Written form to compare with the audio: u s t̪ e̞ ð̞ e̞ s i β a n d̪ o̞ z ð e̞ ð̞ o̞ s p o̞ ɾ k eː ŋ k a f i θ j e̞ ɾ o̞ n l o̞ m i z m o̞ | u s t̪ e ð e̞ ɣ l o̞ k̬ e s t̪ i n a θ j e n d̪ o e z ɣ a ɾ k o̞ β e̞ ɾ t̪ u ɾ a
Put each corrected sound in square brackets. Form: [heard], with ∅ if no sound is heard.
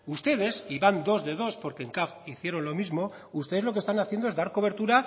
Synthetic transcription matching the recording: u s t̪ e̞ ð̞ e̞ s i β a n d̪ o̞ z ð e̞ ð̞ o̞ s p o̞ ɾ k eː ŋ k a f i θ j e̞ ɾ o̞ n l o̞ m i z m o̞ | u s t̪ e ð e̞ [z] l o̞ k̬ e s t̪ [a] n a θ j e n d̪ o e z [ð] a ɾ k o̞ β e̞ ɾ t̪ u ɾ a